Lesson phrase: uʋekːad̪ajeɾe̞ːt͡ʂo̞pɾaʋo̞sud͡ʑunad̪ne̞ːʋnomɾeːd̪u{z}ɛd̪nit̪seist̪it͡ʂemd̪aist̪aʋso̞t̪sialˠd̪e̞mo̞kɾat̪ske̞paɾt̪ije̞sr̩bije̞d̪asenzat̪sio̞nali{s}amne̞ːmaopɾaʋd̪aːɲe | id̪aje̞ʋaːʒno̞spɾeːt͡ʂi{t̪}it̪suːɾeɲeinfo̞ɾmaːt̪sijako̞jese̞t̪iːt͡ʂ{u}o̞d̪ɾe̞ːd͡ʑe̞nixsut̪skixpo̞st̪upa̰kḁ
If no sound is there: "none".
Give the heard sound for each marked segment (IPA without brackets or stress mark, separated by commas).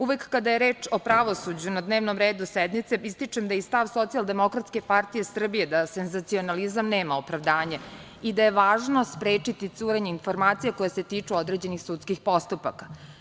s, z, t̪, u